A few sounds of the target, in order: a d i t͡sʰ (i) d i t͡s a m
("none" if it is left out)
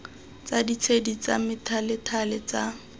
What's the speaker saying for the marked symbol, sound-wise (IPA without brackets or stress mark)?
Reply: e